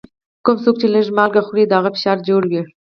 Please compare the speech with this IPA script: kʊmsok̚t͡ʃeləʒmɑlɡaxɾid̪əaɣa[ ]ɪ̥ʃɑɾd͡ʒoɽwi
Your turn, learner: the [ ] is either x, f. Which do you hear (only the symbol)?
f